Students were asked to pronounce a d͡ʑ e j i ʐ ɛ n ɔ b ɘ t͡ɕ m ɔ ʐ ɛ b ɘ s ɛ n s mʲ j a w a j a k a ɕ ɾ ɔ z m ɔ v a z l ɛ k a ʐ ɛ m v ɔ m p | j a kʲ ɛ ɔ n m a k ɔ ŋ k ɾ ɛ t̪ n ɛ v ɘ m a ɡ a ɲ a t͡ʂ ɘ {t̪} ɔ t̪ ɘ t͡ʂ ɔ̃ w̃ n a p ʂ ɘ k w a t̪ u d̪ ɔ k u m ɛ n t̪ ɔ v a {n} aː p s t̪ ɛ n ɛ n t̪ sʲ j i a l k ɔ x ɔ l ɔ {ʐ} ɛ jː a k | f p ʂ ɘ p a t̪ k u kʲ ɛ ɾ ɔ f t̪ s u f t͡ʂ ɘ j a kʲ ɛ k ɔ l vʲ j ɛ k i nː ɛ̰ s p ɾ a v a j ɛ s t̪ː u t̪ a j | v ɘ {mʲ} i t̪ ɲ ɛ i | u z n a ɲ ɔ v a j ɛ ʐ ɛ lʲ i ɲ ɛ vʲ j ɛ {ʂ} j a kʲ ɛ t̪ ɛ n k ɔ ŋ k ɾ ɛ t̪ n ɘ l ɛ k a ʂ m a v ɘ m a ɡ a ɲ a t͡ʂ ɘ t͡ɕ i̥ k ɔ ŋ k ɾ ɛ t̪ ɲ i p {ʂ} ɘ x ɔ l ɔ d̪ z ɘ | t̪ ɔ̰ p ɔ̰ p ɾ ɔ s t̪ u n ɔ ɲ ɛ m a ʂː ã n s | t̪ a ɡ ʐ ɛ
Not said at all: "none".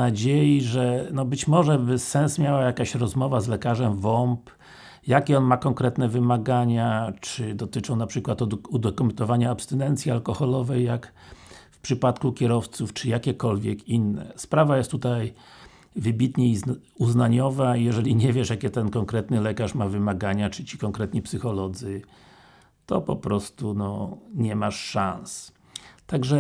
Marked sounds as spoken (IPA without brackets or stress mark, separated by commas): d̪, ɲ, v, bʲ, ʂ, s